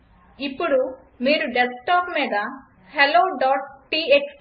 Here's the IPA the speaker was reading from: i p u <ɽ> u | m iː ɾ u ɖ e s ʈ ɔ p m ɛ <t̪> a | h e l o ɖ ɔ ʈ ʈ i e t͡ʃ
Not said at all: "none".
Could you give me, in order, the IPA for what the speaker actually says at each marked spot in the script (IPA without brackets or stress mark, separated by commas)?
ɽ, d̪